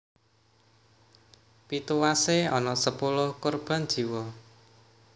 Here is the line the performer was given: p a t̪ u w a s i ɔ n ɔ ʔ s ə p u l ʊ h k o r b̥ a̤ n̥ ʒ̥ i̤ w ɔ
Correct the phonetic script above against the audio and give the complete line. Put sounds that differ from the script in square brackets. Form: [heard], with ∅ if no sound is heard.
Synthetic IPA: p [i] t̪ u w a s [e] ɔ n ɔ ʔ s ə p u l ʊ h k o r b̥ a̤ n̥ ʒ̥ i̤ w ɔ